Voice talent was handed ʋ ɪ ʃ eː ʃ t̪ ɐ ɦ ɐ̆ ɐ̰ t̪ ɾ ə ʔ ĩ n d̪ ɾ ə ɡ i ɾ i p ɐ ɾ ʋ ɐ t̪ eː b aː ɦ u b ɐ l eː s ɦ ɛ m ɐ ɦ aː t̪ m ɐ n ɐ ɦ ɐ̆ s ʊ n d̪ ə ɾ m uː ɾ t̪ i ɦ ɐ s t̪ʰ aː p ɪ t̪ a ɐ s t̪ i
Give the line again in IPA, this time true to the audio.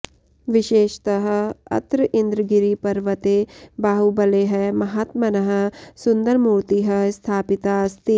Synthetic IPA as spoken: ʋ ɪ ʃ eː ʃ t̪ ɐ ɦ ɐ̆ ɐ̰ t̪ ɾ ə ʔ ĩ n d̪ ɾ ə ɡ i ɾ i p ɐ ɾ ʋ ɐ t̪ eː b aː ɦ u b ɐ l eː ɦ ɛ m ɐ ɦ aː t̪ m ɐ n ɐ ɦ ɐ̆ s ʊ n d̪ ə ɾ m uː ɾ t̪ i ɦ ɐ s t̪ʰ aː p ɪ t̪ a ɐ s t̪ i

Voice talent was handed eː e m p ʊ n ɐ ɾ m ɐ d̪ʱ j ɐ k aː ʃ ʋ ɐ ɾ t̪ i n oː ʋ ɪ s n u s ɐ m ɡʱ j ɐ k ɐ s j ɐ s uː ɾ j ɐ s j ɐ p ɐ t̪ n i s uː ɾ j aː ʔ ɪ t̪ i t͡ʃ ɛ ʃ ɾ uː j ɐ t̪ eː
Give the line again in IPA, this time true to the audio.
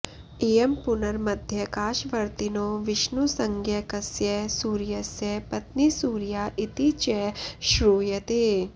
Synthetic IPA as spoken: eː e m p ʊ n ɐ ɾ m ɐ d̪ʱ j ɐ k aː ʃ ʋ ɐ ɾ t̪ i n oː ʋ ɪ ʃ n u s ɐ ŋ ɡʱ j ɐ k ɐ s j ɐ s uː ɾ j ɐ s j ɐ p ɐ t̪ n i s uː ɾ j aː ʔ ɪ t̪ i t͡ʃ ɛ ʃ ɾ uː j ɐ t̪ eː

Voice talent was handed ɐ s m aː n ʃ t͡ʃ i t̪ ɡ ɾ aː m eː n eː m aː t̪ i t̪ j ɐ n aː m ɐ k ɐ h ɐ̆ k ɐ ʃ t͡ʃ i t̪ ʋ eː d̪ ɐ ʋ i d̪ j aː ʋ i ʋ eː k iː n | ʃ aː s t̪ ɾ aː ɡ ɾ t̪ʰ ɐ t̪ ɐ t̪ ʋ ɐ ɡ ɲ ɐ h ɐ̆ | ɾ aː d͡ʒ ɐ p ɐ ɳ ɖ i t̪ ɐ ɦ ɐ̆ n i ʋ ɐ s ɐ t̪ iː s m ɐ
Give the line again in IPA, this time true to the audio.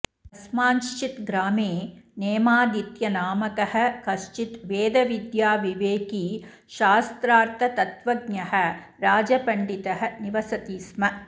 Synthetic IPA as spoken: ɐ s m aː n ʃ t͡ʃ i t̪ ɡ ɾ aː m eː n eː m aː d̪ i t̪ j ɐ n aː m ɐ k ɐ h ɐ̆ k ɐ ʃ t͡ʃ i t̪ ʋ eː d̪ ɐ ʋ i d̪ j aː ʋ i ʋ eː k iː | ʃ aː s t̪ ɾ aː ɾ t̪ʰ ɐ t̪ ɐ t̪ ʋ ɐ ɡ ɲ ɐ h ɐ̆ | ɾ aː d͡ʒ ɐ p ɐ ɳ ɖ i t̪ ɐ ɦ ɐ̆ n i ʋ ɐ s ɐ t̪ iː s m ɐ

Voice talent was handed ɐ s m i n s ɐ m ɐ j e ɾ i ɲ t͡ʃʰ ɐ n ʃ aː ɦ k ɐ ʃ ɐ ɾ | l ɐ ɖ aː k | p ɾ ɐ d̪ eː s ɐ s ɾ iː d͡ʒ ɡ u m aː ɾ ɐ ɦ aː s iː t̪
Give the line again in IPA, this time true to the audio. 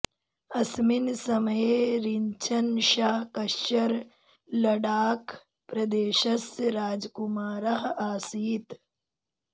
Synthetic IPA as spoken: ɐ s m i n s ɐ m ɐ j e ɾ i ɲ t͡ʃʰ ɐ n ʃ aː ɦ k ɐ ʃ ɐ ɾ | l ɐ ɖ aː k | p ɾ ɐ d̪ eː ʃ ɐ s ɾ aː d͡ʒ k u m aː ɾ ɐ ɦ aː s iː t̪

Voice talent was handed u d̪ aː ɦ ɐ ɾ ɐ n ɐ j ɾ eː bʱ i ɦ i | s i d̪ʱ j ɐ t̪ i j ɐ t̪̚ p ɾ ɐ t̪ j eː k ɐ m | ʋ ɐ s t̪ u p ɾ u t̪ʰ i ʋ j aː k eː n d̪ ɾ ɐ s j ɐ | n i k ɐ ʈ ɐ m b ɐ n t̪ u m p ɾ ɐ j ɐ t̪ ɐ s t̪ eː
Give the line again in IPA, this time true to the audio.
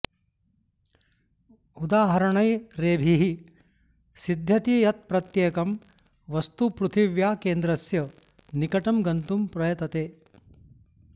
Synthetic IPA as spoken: u d̪ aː ɦ ɐ ɾ ɐ ɳ ɐ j ɾ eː bʱ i ɦ i | s i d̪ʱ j ɐ t̪ i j ɐ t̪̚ p ɾ ɐ t̪ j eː k ɐ m | ʋ ɐ s t̪ u p ɾ u t̪ʰ i ʋ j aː k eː n d̪ ɾ ɐ s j ɐ | n i k ɐ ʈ ɐ m ɡ ɐ n t̪ u m p ɾ ɐ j ɐ t̪ ɐ t̪ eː

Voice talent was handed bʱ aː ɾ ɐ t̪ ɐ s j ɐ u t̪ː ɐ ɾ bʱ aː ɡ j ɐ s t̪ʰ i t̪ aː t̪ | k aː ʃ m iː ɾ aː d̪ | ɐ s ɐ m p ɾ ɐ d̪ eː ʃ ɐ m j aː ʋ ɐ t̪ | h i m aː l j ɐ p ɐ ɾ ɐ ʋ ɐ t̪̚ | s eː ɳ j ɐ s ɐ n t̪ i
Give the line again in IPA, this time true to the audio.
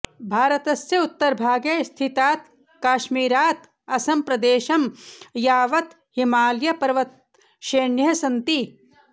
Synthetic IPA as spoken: bʱ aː ɾ ɐ t̪ ɐ s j ɐ u t̪ː ɐ ɾ bʱ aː ɡ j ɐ s t̪ʰ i t̪ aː t̪ | k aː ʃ m iː ɾ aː t̪ | ɐ s ɐ m p ɾ ɐ d̪ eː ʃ ɐ m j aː ʋ ɐ t̪ | h i m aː l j ɐ p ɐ ɾ ɐ ʋ ɐ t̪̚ | ʃ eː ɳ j ɐ s ɐ n t̪ i

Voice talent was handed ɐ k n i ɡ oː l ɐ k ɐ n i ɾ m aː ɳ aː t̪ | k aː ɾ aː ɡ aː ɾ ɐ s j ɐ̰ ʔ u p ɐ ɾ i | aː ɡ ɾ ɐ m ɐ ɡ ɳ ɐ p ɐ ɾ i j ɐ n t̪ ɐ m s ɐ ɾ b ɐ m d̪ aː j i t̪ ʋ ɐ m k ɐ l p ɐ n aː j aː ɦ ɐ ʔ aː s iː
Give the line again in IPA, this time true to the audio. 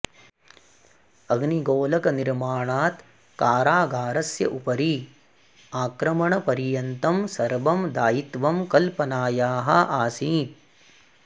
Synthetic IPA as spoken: ɐ ɡ n i ɡ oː l ɐ k ɐ n i ɾ m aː ɳ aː t̪ | k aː ɾ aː ɡ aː ɾ ɐ s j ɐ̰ ʔ u p ɐ ɾ i | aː k ɾ ɐ m ɐ ɳ ɐ p ɐ ɾ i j ɐ n t̪ ɐ m s ɐ ɾ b ɐ m d̪ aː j i t̪ ʋ ɐ m k ɐ l p ɐ n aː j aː ɦ ɐ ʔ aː s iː

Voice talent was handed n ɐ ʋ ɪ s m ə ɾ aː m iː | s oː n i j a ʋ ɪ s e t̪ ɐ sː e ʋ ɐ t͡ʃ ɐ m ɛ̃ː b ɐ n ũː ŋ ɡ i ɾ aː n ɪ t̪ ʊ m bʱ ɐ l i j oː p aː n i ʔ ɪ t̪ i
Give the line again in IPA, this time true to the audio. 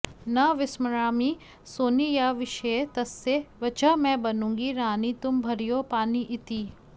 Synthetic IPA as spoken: n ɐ ʋ ɪ s m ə ɾ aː m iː | s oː n i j a ʋ ɪ ʃ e t̪ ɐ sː e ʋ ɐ t͡ʃ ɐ m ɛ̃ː b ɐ n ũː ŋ ɡ i ɾ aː n i t̪ ʊ m bʱ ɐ ɾ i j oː p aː n i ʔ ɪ t̪ i

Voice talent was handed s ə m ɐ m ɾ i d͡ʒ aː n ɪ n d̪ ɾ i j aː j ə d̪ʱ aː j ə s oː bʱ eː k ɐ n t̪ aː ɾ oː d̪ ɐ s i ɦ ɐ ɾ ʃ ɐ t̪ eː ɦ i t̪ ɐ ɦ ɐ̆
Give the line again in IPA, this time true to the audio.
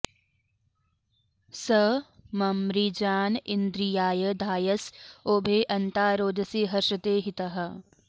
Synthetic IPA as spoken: s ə m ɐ m ɾ i d͡ʒ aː n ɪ n d̪ ɾ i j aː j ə d̪ʱ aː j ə s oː bʱ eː ʔ ɐ n t̪ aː ɾ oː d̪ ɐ s i ɦ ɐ ɾ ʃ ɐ t̪ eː ɦ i t̪ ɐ ɦ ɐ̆

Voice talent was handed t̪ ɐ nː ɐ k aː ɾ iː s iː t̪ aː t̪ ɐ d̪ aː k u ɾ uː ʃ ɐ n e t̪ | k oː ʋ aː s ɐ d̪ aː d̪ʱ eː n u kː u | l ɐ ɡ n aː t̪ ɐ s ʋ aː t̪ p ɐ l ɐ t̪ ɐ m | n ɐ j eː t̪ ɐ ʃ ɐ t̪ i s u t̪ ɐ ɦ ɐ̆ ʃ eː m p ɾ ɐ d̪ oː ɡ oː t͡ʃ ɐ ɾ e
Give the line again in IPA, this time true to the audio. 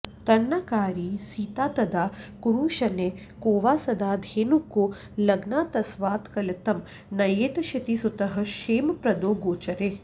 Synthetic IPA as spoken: t̪ ɐ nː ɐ k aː ɾ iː s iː t̪ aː t̪ ɐ d̪ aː k u ɾ uː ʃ ɐ n e | k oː ʋ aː s ɐ d̪ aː d̪ʱ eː n u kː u | l ɐ ɡ n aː t̪ ɐ s ʋ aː t̪ k ɐ l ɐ t̪ ɐ m | n ɐ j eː t̪ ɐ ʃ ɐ t̪ i s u t̪ ɐ ɦ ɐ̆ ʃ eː m p ɾ ɐ d̪ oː ɡ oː t͡ʃ ɐ ɾ e

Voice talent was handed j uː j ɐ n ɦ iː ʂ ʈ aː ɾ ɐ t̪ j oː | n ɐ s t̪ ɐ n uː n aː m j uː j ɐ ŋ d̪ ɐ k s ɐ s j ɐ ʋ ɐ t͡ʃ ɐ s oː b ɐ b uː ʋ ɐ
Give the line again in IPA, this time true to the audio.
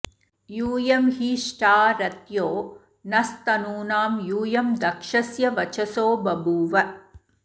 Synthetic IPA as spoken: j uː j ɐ m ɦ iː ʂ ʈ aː ɾ ɐ t̪ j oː | n ɐ s t̪ ɐ n uː n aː m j uː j ɐ m d̪ ɐ k ʂ ɐ s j ɐ ʋ ɐ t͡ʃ ɐ s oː b ɐ b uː ʋ ɐ

